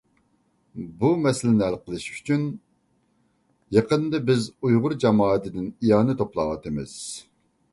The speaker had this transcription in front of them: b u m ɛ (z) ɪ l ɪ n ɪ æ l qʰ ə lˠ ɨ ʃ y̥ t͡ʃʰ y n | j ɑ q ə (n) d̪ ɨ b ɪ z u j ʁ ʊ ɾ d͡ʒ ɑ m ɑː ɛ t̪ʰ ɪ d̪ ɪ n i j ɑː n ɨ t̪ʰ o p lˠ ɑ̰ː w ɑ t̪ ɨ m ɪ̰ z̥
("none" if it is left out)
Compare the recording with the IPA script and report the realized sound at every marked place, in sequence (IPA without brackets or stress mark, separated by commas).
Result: s, n